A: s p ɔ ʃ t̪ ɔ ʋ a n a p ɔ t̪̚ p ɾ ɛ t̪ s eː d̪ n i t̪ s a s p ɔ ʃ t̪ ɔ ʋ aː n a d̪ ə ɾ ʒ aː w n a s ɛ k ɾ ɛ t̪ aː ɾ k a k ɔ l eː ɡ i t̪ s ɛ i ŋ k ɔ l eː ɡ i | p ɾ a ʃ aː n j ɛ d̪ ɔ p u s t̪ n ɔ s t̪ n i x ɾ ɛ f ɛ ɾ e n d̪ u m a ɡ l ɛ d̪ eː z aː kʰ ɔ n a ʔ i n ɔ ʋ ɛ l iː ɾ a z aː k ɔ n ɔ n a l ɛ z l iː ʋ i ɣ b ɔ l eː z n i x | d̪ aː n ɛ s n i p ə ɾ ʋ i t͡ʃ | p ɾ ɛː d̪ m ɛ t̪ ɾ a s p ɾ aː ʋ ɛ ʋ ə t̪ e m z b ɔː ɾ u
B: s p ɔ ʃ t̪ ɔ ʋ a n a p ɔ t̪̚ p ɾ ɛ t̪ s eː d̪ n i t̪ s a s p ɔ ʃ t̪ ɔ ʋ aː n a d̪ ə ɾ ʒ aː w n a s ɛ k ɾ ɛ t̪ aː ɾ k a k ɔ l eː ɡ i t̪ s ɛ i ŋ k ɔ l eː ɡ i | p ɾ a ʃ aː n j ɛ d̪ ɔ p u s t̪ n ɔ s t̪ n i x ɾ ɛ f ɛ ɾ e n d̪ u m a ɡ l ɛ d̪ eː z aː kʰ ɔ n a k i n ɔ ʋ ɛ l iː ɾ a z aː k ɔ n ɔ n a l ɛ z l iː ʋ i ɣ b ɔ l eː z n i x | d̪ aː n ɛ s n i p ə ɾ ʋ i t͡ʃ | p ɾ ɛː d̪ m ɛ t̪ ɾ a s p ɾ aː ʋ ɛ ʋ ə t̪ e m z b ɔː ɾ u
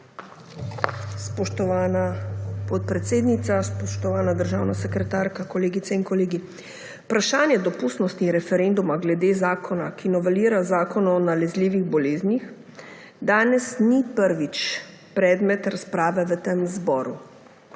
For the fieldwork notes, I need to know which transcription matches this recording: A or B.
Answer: B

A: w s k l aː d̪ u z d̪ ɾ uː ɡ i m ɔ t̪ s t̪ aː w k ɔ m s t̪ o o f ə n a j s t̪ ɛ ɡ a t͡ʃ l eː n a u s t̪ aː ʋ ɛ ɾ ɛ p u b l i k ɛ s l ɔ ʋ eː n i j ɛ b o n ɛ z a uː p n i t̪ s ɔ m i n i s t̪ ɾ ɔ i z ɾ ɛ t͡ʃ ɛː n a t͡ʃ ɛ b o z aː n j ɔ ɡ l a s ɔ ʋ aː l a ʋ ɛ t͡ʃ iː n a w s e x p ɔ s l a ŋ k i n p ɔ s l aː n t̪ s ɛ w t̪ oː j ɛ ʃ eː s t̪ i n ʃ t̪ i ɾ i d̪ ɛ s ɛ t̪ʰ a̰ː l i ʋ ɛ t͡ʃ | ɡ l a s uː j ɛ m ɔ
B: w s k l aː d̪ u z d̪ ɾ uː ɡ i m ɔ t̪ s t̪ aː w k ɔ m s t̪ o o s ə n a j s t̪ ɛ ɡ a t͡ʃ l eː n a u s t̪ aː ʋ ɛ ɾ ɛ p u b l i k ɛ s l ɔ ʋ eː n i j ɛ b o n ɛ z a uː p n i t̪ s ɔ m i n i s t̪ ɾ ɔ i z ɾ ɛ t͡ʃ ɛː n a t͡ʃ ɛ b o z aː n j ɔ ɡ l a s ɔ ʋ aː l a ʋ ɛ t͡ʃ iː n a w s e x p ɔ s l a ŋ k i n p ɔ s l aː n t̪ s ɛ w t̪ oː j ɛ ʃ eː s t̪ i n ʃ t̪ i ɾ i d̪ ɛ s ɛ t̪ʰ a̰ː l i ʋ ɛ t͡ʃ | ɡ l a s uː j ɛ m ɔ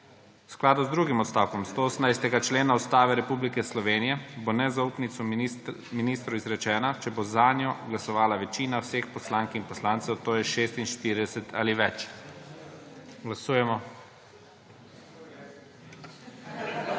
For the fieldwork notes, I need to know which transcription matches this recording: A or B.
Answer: B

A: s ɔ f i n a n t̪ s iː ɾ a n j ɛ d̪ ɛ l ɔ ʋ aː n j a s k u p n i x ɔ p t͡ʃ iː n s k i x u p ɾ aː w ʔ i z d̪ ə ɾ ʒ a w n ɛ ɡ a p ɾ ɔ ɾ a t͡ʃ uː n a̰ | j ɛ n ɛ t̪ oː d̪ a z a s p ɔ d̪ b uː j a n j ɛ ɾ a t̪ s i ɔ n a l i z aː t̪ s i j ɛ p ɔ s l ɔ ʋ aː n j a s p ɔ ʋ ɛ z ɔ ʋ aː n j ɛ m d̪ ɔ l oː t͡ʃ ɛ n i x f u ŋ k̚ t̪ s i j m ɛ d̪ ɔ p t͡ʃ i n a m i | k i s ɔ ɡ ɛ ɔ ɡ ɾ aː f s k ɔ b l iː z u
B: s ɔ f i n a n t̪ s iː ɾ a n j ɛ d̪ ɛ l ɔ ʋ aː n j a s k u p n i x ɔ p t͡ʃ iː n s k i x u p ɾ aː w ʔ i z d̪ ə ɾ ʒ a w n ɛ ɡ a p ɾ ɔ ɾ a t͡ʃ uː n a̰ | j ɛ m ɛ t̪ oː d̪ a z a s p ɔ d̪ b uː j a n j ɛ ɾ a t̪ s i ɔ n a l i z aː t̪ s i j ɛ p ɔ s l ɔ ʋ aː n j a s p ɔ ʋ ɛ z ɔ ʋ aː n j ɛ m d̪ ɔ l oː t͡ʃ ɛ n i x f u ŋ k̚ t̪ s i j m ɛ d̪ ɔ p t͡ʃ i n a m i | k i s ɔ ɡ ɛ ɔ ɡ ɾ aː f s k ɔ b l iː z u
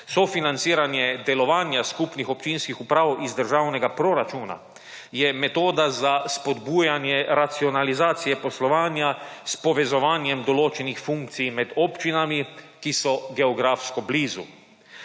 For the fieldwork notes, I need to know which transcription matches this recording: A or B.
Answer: B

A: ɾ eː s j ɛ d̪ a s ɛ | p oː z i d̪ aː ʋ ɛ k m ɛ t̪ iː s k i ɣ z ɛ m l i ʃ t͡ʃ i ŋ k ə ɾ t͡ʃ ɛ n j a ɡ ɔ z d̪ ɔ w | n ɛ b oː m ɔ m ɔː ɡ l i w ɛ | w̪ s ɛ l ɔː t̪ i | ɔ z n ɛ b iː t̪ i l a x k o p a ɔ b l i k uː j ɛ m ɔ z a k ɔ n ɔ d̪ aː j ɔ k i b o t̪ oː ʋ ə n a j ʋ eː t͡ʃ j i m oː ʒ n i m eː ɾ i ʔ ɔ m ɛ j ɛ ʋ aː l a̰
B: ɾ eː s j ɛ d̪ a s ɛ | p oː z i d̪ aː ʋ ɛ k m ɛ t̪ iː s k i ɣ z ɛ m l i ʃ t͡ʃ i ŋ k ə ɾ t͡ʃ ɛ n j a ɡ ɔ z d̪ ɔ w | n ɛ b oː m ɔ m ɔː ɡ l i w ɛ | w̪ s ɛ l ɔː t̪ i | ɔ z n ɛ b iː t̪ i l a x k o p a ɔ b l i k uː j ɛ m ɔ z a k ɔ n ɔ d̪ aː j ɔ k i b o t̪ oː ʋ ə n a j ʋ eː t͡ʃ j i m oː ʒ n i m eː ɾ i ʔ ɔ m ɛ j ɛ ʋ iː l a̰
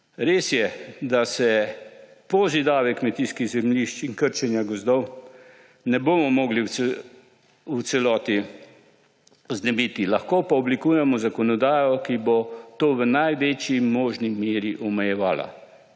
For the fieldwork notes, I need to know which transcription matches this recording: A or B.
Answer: A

